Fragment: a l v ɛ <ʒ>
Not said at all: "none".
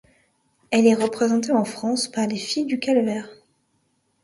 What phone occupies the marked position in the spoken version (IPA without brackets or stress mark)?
ʁ